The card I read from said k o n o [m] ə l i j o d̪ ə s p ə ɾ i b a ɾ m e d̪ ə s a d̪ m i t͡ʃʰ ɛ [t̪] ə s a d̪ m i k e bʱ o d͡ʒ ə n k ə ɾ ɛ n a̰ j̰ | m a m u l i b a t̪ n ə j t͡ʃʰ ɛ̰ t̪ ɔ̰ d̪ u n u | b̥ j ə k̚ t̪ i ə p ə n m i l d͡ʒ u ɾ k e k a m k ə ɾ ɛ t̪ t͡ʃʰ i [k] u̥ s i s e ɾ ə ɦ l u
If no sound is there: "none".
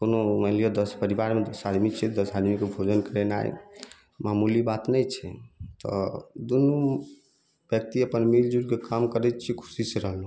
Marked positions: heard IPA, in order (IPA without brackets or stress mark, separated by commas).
m, d̪, kʰ